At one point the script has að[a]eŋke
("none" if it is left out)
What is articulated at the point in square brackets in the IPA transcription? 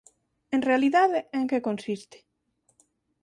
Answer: e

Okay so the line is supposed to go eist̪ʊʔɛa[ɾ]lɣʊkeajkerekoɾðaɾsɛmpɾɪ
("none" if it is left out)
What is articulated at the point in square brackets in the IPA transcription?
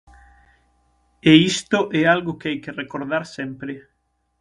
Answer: none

